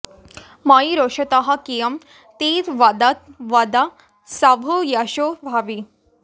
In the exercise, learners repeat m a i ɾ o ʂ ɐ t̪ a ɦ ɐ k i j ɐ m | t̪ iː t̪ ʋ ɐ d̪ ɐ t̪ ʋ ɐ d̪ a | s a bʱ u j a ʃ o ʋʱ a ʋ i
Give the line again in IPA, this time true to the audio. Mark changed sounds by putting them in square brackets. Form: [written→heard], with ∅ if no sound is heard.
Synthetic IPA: m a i ɾ o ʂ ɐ t̪ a ɦ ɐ k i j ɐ m | t̪ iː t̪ ʋ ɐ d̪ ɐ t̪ ʋ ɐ d̪ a | s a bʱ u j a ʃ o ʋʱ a ʋ i